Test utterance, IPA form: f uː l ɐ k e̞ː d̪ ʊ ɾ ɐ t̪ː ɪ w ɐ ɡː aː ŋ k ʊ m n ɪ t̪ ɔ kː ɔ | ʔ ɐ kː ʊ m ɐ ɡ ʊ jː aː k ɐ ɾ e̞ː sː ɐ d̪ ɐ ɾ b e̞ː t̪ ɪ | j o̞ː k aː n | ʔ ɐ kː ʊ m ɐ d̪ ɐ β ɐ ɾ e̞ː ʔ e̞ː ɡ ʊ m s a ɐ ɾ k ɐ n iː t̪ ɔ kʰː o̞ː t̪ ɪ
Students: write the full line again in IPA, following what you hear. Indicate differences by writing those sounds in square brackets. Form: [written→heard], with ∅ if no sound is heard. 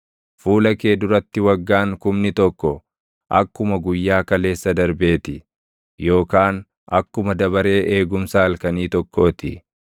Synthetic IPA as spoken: f uː l ɐ k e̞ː d̪ ʊ ɾ ɐ t̪ː ɪ w ɐ ɡː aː ŋ k ʊ m n ɪ t̪ ɔ kː ɔ | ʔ ɐ kː ʊ m ɐ ɡ ʊ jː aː k ɐ [ɾ→l] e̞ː sː ɐ d̪ ɐ ɾ b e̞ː t̪ ɪ | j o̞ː k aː n | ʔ ɐ kː ʊ m ɐ d̪ ɐ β ɐ ɾ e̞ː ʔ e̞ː ɡ ʊ m s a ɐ [ɾ→l] k ɐ n iː t̪ ɔ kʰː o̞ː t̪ ɪ